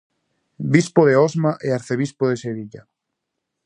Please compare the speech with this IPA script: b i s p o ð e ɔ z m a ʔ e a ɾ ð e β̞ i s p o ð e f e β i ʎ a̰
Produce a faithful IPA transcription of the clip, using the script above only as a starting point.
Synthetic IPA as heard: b i s p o ð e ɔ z m a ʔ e a ɾ θ e β̞ i s p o ð e s e β i ʎ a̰